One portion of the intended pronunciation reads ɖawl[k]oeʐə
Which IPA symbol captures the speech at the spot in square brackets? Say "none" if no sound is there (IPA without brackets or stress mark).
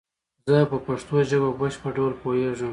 p